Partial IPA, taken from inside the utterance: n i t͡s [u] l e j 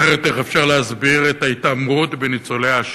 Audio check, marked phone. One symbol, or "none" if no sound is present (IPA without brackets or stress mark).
o